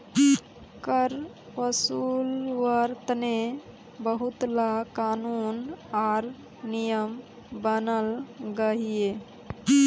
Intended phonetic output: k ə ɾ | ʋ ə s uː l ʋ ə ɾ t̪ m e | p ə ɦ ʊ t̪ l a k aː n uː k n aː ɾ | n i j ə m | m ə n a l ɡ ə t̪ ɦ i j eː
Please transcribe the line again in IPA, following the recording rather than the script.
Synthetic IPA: k ə ɾ | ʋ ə s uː l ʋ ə ɾ t̪ n e | b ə ɦ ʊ t̪ l a k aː n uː n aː ɾ | n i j ə m | b ə n ə l ɡ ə ɦ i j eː